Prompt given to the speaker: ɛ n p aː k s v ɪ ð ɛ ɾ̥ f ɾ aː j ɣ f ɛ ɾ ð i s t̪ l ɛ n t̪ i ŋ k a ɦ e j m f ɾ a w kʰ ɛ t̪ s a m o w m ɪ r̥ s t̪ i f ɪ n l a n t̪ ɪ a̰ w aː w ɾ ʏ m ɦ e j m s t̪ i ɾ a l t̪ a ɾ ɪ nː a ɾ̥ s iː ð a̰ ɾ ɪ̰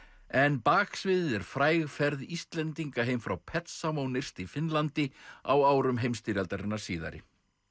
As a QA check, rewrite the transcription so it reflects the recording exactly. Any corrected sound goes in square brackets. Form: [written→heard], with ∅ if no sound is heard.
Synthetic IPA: ɛ n p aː k s v ɪ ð ɛ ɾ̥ f ɾ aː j ɣ f ɛ ɾ ð i s t̪ l ɛ n t̪ i ŋ k a ɦ e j m f ɾ a w [kʰ→pʰ] ɛ t̪ s a m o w [m→n] ɪ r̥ s t̪ i f ɪ n l a n t̪ ɪ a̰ w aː w ɾ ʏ m ɦ e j m s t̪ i ɾ a l t̪ a ɾ ɪ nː a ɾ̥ s iː ð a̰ ɾ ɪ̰